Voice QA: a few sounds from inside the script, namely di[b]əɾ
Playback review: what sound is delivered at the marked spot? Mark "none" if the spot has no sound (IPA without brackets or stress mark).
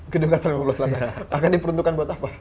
p